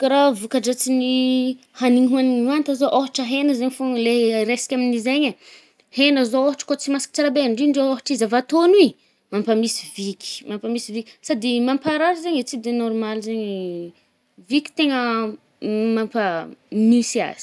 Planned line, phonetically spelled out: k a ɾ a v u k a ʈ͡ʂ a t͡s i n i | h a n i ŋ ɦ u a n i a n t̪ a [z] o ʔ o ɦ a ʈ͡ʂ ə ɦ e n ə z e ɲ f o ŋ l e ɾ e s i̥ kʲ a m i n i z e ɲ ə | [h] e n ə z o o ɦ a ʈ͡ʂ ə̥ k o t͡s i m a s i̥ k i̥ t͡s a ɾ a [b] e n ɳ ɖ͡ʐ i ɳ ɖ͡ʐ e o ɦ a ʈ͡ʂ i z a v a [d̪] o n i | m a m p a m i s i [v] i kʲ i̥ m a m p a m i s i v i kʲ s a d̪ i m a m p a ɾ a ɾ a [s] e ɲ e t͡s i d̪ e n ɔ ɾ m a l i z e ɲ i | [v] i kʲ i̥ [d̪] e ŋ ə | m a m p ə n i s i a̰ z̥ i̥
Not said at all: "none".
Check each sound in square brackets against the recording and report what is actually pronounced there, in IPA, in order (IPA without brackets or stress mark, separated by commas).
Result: z, h, b, t̪, v, z, v, t̪